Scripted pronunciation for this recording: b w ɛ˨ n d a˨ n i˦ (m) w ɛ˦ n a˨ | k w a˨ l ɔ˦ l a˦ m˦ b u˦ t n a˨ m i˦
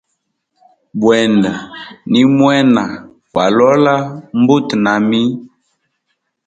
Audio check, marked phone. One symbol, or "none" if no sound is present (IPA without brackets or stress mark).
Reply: m